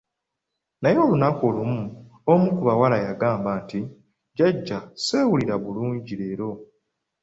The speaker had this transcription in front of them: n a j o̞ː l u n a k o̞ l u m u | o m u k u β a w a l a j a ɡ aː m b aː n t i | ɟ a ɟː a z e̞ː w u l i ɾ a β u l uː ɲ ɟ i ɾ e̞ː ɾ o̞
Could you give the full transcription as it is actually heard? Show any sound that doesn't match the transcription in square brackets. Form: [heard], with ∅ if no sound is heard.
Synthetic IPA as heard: n a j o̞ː l u n a k o̞ l u m u | o m u k u β a w a l a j a ɡ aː m b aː n t i | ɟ a ɟː a [s] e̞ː w u l i ɾ a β u l uː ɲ ɟ i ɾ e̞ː ɾ o̞